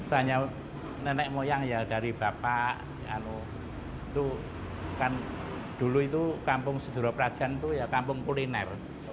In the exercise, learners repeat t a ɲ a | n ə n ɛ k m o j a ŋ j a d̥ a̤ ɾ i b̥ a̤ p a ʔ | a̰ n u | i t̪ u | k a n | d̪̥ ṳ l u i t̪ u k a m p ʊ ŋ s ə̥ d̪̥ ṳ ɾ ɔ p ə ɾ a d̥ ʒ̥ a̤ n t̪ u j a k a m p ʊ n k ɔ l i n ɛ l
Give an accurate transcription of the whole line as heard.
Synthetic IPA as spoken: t a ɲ a | n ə n ɛ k m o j a ŋ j a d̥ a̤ ɾ i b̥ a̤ p a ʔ | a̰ n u | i t̪ u | k a n | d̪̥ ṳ l u i t̪ u k a m p ʊ ŋ s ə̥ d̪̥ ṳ ɾ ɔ p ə ɾ a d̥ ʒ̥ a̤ n t̪ u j a k a m p ʊ ŋ k u l i n ɛ r